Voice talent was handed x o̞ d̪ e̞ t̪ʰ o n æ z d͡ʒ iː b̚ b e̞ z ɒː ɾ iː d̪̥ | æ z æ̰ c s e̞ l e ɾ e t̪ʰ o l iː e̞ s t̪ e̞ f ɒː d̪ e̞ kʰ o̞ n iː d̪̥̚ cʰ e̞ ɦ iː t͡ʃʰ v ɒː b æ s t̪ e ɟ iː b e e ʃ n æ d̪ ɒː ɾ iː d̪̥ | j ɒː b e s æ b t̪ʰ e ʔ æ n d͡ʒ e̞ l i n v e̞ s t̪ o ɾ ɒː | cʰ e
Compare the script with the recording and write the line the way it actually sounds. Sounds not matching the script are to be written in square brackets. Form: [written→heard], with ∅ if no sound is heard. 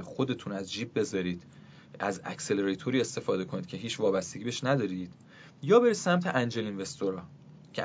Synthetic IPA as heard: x o̞ d̪ e̞ t̪ʰ [o→u] n æ z d͡ʒ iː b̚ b e̞ z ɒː ɾ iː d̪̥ | æ z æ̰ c s e̞ l e ɾ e t̪ʰ o [l→ɾ] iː e̞ s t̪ e̞ f ɒː d̪ e̞ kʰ o̞ n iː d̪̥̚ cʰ e̞ ɦ iː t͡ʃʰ v ɒː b æ s t̪ e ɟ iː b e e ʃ n æ d̪ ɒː ɾ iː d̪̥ | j ɒː b e s æ [b→m] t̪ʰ e ʔ æ n d͡ʒ e̞ l i n v e̞ s t̪ o ɾ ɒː | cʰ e